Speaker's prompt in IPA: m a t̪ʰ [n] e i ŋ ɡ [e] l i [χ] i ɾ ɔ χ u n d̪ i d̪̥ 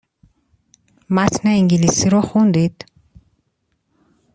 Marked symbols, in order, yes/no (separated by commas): yes, no, no